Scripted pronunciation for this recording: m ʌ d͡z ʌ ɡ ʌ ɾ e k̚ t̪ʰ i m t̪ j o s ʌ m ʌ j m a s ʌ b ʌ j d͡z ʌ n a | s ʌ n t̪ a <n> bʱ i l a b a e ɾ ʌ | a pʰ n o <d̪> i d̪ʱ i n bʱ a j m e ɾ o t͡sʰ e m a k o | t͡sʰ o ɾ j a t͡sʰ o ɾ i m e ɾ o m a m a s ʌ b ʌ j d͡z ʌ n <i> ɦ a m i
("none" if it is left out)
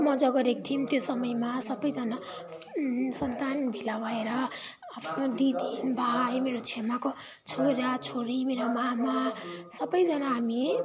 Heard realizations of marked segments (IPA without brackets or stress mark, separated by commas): n, d̪, a